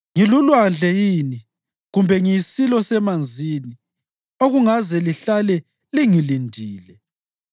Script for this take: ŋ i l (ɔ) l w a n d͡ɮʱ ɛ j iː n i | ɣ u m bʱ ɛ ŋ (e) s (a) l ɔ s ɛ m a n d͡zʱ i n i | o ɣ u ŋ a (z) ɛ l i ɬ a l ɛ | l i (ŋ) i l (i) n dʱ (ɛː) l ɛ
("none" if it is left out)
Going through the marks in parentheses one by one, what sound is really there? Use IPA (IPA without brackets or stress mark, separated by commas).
u, i, i, z, ŋ, i, iː